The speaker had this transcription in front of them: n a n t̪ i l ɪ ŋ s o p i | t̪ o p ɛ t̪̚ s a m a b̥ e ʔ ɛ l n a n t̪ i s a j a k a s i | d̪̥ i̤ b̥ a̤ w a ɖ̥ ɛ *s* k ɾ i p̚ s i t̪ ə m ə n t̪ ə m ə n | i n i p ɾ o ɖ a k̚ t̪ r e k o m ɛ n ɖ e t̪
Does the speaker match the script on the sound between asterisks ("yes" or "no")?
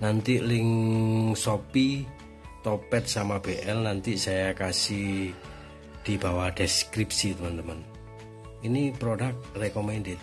yes